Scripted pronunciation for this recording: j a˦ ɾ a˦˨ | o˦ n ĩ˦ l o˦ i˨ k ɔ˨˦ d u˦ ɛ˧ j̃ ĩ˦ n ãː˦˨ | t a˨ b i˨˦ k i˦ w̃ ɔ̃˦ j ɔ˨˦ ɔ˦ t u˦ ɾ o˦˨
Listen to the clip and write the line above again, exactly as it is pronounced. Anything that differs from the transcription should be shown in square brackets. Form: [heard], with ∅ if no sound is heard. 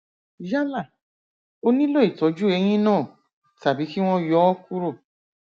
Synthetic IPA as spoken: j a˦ [l] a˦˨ | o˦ n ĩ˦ l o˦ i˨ [t] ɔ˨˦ [d͡ʒ] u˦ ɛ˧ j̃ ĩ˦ n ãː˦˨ | t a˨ b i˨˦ k i˦ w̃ ɔ̃˦ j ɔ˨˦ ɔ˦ [k] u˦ ɾ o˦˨